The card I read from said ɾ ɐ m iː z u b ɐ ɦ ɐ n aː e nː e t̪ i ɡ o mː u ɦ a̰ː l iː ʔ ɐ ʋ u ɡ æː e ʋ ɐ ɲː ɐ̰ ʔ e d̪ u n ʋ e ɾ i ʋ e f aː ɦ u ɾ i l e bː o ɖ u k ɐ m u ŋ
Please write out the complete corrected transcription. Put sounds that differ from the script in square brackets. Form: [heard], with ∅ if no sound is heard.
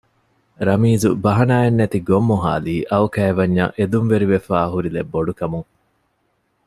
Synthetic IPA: ɾ ɐ m iː z u b ɐ ɦ ɐ n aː e nː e t̪ i ɡ o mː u ɦ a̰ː l iː ʔ ɐ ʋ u [k] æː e ʋ ɐ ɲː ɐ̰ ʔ e d̪ u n ʋ e ɾ i ʋ e f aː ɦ u ɾ i l e bː o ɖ u k ɐ m u ŋ